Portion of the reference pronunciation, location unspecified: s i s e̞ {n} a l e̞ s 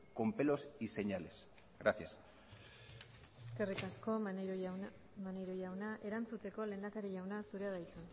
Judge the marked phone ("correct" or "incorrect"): incorrect